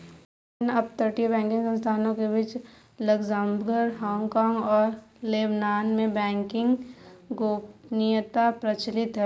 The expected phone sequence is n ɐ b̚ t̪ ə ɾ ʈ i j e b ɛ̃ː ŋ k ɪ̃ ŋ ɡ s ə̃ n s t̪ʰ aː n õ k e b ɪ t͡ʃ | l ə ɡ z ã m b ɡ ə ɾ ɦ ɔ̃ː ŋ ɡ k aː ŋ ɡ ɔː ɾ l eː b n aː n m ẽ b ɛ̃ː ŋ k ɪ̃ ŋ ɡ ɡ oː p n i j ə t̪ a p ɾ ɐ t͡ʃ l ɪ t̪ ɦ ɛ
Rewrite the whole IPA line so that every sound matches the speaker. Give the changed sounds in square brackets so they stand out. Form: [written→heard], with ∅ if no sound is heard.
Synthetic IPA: n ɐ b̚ t̪ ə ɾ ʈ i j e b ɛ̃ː ŋ k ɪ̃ ŋ ɡ s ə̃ n s t̪ʰ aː n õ k e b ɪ t͡ʃ | l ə ɡ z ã m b ɡ ə ɾ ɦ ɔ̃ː ŋ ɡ k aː ŋ ɡ ɔː ɾ l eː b n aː n m ẽ b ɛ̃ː ŋ k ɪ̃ ŋ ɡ ɡ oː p n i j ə t̪ a p ɾ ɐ t͡ʃ l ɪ t̪ ɦ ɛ